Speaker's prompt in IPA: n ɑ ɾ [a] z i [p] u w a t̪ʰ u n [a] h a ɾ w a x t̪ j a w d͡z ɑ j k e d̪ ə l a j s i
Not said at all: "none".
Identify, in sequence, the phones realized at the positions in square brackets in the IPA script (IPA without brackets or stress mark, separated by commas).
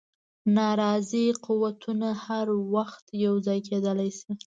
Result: ɑ, q, a